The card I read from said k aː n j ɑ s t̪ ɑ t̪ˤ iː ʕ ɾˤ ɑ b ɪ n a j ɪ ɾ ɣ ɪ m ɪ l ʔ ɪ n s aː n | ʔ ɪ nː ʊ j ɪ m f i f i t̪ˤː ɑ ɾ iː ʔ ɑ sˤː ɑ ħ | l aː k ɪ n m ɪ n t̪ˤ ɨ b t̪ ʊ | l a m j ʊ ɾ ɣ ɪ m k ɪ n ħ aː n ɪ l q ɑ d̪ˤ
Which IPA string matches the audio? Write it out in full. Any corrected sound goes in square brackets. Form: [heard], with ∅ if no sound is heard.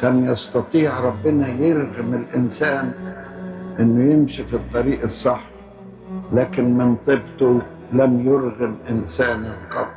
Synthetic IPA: k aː n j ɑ s t̪ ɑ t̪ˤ iː ʕ ɾˤ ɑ [bː] ɪ n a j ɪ ɾ ɣ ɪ m ɪ l ʔ ɪ n s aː n | ʔ ɪ nː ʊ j ɪ m [ʃ] i f i t̪ˤː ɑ ɾ iː ʔ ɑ sˤː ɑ ħ | l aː k ɪ n m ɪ n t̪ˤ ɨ b t̪ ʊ | l a m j ʊ ɾ ɣ ɪ m [ʔ] ɪ n [s] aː n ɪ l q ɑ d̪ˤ

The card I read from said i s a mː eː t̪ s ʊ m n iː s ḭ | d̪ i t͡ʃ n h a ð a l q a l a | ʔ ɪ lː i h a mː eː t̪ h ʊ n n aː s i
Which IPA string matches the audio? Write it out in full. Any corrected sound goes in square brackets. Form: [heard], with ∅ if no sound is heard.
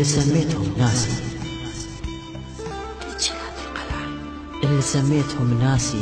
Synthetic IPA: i s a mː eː t̪ [h] ʊ m n [aː] s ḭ | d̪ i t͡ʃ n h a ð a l q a l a | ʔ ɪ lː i [s] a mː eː t̪ h ʊ [m] n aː s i

